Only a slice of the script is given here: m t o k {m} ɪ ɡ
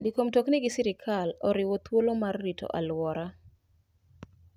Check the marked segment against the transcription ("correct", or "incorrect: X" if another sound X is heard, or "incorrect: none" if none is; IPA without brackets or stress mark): incorrect: n